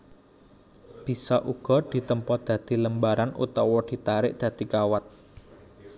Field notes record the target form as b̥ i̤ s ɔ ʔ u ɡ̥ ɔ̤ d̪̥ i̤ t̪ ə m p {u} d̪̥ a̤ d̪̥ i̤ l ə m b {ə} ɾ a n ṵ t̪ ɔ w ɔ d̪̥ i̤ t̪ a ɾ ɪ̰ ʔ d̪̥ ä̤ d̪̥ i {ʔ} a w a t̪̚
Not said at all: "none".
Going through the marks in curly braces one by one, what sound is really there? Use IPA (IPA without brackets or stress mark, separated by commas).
ɔ, a, k